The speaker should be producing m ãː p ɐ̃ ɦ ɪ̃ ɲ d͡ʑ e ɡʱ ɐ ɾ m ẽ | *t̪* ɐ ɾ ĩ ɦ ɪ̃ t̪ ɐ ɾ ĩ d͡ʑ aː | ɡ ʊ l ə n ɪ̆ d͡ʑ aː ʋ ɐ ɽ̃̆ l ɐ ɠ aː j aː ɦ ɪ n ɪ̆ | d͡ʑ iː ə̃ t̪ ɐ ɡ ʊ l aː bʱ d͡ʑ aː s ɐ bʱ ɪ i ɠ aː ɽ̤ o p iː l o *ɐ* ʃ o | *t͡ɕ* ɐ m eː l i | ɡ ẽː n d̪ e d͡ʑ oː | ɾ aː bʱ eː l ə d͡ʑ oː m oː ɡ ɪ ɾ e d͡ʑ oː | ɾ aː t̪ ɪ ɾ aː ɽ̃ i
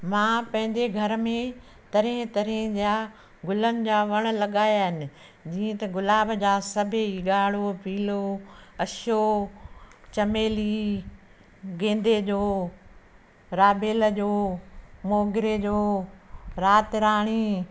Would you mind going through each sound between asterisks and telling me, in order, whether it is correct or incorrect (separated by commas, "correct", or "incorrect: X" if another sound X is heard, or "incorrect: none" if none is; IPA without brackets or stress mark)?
correct, correct, correct